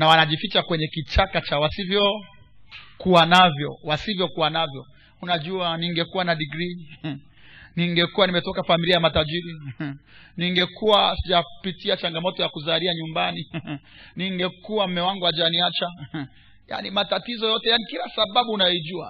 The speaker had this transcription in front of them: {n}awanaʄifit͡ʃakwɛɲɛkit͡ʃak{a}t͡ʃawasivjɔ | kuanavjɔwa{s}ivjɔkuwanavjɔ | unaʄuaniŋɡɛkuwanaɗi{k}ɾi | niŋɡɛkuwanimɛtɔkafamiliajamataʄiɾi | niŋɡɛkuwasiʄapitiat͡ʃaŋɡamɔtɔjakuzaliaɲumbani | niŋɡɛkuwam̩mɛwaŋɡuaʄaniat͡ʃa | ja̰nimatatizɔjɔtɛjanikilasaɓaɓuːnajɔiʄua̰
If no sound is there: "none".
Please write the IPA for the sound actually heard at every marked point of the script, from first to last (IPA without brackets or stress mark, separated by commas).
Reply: n, a, s, ɡ